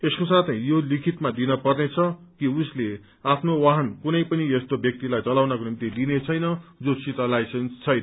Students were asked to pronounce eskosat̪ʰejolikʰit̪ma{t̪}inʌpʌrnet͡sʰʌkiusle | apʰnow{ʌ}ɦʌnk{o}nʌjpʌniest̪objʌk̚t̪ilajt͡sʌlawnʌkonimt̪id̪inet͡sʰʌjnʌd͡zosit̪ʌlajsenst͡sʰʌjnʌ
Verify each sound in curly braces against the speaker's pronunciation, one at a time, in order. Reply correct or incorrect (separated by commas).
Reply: incorrect, incorrect, incorrect